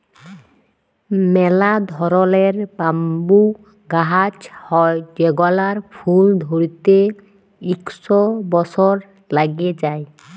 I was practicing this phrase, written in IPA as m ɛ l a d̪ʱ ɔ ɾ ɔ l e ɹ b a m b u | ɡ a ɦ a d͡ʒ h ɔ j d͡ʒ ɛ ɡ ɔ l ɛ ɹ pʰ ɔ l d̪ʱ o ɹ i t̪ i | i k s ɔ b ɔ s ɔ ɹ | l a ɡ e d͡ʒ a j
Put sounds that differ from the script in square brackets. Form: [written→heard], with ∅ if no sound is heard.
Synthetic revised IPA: m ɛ l a d̪ʱ ɔ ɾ ɔ l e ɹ b a m b u | ɡ a ɦ a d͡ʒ h ɔ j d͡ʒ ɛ ɡ ɔ l [ɛ→a] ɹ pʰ [ɔ→u] l d̪ʱ o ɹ i t̪ [i→e] | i k s ɔ b ɔ s ɔ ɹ | l a ɡ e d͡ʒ a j